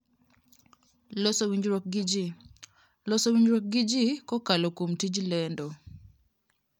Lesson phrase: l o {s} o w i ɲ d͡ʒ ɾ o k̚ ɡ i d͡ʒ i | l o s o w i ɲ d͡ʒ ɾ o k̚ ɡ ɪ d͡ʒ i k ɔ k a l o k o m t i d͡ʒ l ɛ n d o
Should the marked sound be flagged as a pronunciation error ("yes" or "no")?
no